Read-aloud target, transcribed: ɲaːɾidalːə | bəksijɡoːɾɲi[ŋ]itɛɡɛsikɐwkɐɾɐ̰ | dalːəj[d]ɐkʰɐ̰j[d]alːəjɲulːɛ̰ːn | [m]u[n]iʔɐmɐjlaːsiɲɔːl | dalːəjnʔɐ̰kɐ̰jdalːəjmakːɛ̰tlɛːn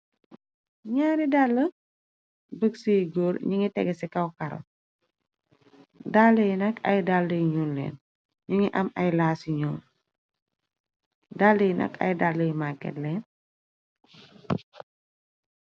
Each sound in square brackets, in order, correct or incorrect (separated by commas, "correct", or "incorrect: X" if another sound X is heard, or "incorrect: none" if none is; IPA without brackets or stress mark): correct, incorrect: n, correct, incorrect: ɲ, incorrect: ŋ